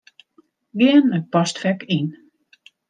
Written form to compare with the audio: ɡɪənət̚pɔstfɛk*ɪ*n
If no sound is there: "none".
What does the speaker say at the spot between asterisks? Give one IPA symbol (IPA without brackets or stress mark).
i